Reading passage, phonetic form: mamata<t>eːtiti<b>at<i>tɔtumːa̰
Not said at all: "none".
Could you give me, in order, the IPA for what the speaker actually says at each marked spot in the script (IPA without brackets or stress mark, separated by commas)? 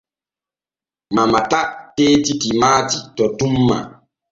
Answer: t, m, i